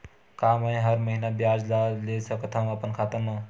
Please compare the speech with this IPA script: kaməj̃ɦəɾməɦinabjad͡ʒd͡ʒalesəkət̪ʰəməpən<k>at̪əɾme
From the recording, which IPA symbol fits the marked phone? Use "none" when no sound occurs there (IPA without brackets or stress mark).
kʰ